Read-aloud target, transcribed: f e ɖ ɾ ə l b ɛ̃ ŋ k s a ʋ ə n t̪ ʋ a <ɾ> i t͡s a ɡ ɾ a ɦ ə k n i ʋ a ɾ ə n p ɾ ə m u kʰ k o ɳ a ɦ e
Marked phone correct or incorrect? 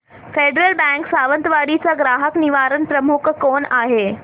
incorrect: ɽ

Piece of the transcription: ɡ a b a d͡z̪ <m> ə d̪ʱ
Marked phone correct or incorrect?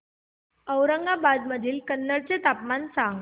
correct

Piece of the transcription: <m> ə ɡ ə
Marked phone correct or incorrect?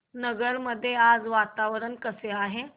incorrect: n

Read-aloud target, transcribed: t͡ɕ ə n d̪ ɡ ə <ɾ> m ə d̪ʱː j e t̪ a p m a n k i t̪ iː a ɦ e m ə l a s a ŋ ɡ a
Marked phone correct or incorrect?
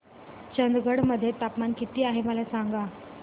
incorrect: ɽ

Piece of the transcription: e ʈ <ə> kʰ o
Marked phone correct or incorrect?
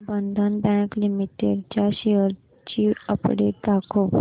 incorrect: a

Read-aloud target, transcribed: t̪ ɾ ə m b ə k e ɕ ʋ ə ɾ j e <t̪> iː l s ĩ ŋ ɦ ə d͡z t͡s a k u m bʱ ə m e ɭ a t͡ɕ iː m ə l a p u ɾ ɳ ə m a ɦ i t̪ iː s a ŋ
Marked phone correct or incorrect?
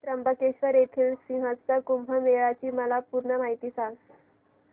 incorrect: t̪ʰ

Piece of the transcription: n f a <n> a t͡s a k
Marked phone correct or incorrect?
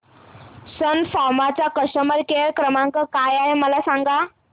incorrect: m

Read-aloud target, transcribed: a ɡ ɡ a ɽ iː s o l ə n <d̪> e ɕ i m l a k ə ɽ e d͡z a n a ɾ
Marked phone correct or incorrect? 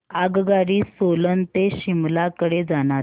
incorrect: t̪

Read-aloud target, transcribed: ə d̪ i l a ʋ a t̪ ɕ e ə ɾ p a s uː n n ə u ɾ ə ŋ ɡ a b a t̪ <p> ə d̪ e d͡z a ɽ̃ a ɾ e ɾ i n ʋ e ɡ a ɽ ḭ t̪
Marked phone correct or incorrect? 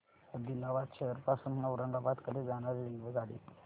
incorrect: k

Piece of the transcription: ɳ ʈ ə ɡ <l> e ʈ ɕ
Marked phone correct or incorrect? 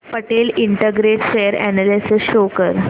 incorrect: ɾ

